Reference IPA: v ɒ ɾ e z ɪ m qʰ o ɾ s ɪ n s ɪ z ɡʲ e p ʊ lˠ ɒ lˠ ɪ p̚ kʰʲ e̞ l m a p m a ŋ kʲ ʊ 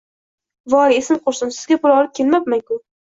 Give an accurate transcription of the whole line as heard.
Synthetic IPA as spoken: v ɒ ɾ e s ɪ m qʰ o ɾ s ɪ n s ɪ z ɡʲ a p ʊ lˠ ɒ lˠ ɪ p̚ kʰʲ e̞ l m a p m a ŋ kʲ ʊ